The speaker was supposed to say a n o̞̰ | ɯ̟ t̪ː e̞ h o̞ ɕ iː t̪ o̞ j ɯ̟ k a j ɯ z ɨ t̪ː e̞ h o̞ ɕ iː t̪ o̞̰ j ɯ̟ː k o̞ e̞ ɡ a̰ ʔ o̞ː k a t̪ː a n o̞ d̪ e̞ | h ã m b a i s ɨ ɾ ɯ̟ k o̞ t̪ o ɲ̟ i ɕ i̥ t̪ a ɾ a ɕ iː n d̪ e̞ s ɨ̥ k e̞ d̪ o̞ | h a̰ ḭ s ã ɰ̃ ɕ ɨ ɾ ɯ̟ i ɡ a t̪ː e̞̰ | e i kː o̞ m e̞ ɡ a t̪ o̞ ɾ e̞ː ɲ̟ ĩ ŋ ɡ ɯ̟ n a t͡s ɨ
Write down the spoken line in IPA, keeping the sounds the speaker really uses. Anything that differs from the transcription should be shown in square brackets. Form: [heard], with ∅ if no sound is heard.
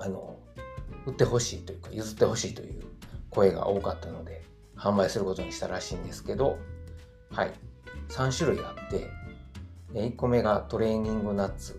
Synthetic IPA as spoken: a n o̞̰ | ɯ̟ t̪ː e̞ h o̞ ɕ iː t̪ o̞ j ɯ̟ k a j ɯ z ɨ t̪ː e̞ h o̞ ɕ iː t̪ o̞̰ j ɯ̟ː k o̞ e̞ ɡ a̰ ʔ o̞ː k a t̪ː a n o̞ d̪ e̞ | h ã m b a i s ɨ ɾ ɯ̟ k o̞ t̪ o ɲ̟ i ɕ i̥ t̪ a ɾ a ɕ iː n d̪ e̞ s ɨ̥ k e̞ d̪ o̞ | h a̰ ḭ s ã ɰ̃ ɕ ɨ ɾ ɯ̟ i ɡ a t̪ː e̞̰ | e i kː o̞ m e̞ ɡ a t̪ o̞ ɾ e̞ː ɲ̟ ĩ ŋ ɡ ɯ̟ n a t͡s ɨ